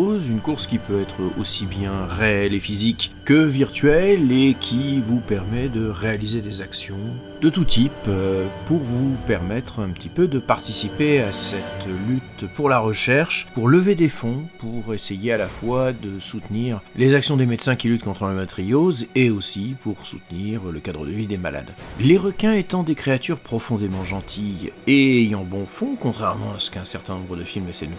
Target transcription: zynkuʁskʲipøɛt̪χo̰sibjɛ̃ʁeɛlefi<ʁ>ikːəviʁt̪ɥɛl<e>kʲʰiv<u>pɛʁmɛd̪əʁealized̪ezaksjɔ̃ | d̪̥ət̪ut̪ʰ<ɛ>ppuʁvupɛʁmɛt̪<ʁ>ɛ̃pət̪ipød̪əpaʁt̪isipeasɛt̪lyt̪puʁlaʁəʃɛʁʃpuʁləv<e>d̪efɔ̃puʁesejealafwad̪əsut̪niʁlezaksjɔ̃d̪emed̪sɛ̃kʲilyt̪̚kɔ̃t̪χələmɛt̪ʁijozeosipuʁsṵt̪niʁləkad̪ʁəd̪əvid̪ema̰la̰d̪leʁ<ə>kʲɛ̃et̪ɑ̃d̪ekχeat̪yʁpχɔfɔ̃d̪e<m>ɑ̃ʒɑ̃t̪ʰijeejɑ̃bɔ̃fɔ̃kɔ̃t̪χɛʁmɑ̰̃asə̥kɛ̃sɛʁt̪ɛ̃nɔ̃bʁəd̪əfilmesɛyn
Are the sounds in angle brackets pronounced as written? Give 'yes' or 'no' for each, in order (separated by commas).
no, yes, yes, no, no, yes, yes, yes